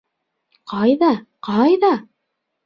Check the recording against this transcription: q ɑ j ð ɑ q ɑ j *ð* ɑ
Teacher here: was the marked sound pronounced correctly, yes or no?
yes